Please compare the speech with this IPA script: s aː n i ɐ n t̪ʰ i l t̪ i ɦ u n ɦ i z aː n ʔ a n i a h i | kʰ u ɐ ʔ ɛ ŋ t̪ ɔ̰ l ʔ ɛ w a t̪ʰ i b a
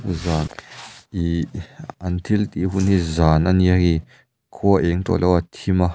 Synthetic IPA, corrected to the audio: z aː n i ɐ n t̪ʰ i l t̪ i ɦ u n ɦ i z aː n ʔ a n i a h i | kʰ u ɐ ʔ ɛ ŋ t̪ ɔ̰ l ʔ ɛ w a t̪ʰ i m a